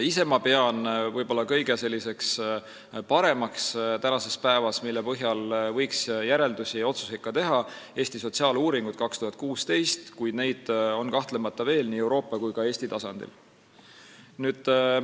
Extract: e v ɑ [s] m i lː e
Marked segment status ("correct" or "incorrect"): correct